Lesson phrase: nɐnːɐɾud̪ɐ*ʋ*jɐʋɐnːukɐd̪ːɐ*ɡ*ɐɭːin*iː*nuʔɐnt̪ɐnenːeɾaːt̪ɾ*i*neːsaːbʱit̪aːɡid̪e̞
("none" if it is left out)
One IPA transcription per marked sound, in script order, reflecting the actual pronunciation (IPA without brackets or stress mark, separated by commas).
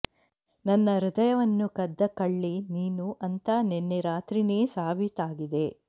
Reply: none, k, iː, i